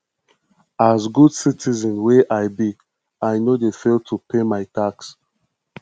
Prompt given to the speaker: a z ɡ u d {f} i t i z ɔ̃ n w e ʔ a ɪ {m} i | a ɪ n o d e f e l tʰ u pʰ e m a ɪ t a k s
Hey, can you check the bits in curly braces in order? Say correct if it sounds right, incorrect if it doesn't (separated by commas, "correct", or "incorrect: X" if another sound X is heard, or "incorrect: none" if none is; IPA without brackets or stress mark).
incorrect: s, incorrect: b